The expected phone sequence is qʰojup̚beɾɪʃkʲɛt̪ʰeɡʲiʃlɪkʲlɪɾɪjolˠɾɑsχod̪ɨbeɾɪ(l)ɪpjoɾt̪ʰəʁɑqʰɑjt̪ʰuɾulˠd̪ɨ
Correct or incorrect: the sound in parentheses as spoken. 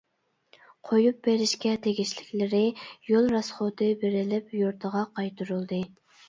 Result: correct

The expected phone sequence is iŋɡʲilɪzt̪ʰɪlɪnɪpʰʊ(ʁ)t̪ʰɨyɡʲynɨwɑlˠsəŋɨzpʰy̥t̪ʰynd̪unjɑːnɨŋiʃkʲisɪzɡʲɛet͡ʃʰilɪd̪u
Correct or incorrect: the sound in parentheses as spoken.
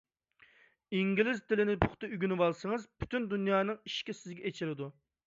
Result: incorrect: χ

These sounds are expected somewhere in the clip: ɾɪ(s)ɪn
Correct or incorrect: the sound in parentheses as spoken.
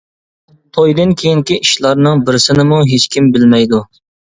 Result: correct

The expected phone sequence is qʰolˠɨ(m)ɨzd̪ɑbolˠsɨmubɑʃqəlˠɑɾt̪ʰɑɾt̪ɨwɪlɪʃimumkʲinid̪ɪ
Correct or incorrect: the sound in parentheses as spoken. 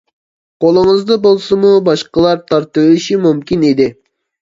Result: incorrect: ŋ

